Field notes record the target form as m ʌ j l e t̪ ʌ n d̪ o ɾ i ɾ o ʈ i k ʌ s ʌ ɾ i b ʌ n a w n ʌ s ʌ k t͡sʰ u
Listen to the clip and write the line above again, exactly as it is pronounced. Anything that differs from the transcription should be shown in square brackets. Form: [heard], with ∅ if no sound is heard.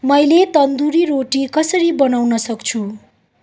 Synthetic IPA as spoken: m ʌ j l e t̪ ʌ n d̪ [u] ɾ i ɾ o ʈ i k ʌ s ʌ ɾ i b ʌ n a w n ʌ s ʌ k t͡sʰ u